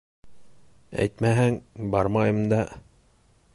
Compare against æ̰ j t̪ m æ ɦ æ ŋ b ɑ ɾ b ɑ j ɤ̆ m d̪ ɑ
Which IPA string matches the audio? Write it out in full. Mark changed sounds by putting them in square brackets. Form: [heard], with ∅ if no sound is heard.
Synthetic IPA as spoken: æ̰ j t̪ m æ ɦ æ ŋ b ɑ ɾ [m] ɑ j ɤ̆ m d̪ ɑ